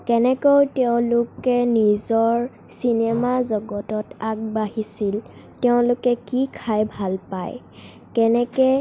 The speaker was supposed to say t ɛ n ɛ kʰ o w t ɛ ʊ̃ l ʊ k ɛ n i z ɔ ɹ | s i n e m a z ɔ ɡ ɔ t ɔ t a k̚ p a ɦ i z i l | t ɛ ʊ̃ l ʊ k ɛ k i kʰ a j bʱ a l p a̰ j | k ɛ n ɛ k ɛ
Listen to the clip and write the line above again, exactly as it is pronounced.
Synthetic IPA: k ɛ n ɛ k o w t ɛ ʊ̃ l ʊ k ɛ n i z ɔ ɹ | s i n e m a z ɔ ɡ ɔ t ɔ t a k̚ b a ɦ i s i l | t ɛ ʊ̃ l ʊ k ɛ k i kʰ a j bʱ a l p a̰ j | k ɛ n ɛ k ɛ